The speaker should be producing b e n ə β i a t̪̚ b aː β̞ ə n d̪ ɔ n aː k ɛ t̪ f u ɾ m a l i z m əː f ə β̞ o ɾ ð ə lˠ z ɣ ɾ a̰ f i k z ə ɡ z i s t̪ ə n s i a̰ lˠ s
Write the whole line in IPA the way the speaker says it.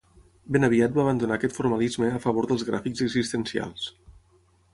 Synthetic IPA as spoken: b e n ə β i a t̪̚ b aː β̞ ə n d̪ u n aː k ɛ t̪ f u ɾ m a l i z m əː f ə β̞ o ɾ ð ə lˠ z ɣ ɾ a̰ f i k z ə ɡ z i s t̪ ə n s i a̰ lˠ s